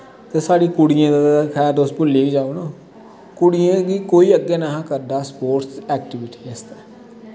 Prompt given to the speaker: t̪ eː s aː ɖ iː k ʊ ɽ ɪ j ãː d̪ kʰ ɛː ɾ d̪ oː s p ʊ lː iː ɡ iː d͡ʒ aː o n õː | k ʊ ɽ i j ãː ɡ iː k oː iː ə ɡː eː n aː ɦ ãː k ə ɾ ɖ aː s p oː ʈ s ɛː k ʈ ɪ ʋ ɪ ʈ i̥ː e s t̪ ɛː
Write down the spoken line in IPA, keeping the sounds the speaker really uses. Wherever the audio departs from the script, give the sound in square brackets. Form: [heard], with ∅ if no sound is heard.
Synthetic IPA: t̪ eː s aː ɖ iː k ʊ ɽ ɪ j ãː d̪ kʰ ɛː ɾ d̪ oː s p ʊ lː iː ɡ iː d͡ʒ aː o n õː | k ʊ ɽ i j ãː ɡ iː k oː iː ə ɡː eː n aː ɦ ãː k ə ɾ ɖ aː s p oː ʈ s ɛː k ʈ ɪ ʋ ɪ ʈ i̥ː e s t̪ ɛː